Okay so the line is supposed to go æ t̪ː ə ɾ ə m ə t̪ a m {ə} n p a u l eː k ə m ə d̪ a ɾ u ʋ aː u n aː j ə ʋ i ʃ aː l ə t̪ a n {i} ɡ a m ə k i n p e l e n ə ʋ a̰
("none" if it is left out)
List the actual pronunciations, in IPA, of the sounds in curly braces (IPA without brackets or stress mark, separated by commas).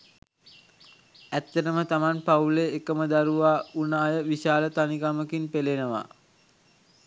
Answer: a, i